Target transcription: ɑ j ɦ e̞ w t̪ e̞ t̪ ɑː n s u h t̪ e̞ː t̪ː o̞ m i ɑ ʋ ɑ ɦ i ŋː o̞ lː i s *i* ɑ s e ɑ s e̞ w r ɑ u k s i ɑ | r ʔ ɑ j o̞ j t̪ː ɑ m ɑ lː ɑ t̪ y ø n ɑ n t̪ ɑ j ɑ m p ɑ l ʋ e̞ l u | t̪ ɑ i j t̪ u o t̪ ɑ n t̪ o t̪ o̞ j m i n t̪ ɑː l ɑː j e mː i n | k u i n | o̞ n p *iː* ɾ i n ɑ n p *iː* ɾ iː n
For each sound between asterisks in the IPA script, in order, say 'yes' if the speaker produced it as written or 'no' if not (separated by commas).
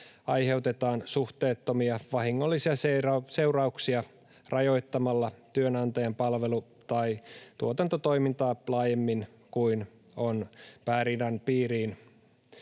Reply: yes, no, yes